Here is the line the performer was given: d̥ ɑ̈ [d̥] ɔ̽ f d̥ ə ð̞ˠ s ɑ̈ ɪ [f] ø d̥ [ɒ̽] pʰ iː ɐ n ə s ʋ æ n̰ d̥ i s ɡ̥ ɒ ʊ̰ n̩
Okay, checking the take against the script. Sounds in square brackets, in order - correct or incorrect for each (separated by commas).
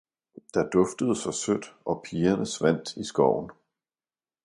correct, incorrect, correct